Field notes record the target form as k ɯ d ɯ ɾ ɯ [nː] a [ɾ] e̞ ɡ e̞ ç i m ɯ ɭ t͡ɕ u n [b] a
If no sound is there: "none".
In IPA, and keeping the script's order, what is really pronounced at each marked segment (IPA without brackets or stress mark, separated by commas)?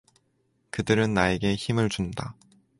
nː, none, d